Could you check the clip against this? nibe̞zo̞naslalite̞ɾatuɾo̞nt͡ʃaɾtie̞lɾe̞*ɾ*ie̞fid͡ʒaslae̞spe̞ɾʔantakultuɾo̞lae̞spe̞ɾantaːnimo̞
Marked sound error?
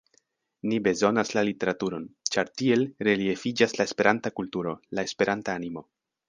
yes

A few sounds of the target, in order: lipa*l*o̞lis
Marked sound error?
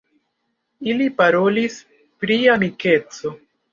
yes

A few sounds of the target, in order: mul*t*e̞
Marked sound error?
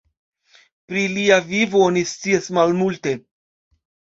no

